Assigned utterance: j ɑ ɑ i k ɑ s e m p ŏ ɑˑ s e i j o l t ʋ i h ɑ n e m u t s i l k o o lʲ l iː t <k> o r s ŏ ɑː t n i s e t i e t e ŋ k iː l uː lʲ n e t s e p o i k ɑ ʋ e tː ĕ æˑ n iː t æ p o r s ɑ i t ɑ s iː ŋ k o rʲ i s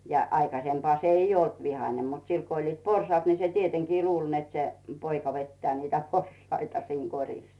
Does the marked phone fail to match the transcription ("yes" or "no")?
yes